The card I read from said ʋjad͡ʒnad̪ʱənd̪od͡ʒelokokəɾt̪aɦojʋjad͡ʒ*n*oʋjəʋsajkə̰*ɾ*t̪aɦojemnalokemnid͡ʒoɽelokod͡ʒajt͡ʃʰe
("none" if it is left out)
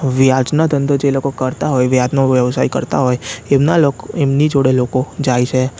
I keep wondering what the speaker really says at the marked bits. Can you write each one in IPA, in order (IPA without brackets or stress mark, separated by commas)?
n, ɾ